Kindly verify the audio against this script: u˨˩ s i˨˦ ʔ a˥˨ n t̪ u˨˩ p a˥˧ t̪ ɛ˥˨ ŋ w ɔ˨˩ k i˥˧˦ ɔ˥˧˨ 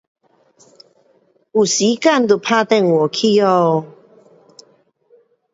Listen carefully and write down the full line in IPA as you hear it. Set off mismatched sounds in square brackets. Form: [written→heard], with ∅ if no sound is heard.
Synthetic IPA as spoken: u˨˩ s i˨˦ [ʔ→k] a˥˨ n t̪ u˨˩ [p→pʰ] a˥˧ t̪ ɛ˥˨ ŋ w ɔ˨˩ [k→kʰ] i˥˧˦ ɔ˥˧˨